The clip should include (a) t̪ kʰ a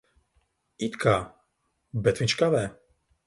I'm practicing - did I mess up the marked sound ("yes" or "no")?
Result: yes